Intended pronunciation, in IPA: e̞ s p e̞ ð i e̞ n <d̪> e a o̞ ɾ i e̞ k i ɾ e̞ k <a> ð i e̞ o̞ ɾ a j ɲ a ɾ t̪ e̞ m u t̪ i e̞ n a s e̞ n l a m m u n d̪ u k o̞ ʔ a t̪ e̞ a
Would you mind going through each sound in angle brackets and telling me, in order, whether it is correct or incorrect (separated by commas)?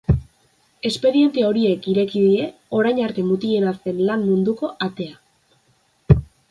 incorrect, incorrect